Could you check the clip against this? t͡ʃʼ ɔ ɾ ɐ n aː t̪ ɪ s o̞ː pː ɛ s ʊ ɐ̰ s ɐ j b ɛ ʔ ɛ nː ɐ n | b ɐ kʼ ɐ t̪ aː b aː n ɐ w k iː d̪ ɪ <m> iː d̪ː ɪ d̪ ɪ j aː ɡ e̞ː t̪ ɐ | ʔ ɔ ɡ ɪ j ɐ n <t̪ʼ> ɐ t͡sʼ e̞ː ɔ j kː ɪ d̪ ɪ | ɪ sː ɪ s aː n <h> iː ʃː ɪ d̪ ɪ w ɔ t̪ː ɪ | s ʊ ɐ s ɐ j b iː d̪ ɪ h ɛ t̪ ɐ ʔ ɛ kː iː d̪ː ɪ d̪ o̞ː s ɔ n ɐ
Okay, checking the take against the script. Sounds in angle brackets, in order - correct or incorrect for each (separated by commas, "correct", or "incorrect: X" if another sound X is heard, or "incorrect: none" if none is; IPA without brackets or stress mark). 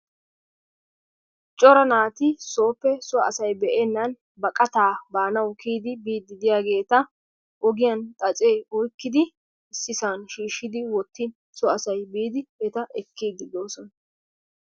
incorrect: b, correct, incorrect: ʃ